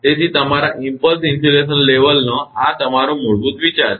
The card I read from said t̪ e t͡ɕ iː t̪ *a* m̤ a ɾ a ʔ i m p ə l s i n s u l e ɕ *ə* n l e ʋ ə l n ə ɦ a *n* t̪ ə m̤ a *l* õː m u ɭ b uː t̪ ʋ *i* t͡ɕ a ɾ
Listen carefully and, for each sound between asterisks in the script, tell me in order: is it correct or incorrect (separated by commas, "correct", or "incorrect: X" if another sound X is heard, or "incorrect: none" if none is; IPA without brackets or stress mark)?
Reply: incorrect: ə, correct, incorrect: none, incorrect: ɾ, correct